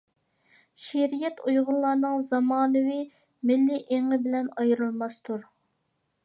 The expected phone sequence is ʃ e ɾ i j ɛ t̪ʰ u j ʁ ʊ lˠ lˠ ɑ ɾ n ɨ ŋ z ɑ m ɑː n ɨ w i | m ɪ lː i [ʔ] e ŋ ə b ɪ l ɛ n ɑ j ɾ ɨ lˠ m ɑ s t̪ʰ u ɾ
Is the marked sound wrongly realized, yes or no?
no